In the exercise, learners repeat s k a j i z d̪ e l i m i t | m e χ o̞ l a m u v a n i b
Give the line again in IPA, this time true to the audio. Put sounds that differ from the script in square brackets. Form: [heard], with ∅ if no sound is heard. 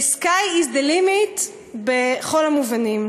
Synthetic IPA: s k a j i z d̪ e l i m i t | [b] e χ o̞ l a m u v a n i [m]